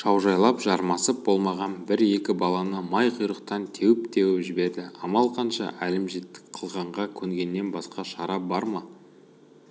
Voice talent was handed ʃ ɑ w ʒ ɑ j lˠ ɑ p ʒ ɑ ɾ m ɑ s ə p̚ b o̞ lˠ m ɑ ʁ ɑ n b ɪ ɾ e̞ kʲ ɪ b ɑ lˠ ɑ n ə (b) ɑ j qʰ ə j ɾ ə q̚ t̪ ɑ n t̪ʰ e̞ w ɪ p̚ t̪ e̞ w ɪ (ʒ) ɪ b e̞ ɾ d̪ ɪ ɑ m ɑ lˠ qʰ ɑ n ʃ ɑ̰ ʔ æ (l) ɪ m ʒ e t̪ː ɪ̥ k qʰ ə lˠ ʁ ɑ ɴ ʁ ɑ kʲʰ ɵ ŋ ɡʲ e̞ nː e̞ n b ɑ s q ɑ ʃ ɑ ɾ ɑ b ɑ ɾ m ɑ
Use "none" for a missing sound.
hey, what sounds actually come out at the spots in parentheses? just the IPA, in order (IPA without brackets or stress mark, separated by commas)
m, ʒ, l